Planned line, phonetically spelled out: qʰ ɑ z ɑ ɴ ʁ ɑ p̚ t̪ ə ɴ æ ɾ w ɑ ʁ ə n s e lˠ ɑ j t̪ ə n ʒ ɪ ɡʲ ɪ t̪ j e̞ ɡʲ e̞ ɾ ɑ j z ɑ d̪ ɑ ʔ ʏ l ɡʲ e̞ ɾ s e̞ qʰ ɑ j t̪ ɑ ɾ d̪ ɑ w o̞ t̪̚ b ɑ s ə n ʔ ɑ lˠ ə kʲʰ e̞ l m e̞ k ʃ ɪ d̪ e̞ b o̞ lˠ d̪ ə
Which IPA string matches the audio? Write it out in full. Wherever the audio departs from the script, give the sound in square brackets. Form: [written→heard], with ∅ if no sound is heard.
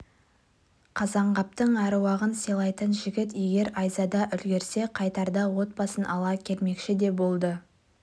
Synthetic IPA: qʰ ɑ z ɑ ɴ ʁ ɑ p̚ t̪ ə ɴ æ ɾ w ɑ ʁ ə n s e lˠ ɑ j t̪ ə n ʒ ɪ ɡʲ ɪ t̪ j e̞ ɡʲ e̞ ɾ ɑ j z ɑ d̪ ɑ ʔ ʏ l ɡʲ e̞ ɾ s e̞ qʰ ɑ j t̪ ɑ ɾ d̪ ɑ w o̞ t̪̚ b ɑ s ə n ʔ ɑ lˠ [ə→ɑ] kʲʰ e̞ l m e̞ k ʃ ɪ d̪ e̞ b o̞ lˠ d̪ ə